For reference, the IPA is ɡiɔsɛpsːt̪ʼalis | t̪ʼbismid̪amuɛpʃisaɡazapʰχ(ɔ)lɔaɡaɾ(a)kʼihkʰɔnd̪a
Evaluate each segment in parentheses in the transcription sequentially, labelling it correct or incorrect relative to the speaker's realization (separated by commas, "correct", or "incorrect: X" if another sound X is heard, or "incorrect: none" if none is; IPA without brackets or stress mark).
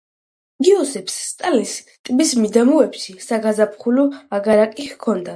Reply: incorrect: u, correct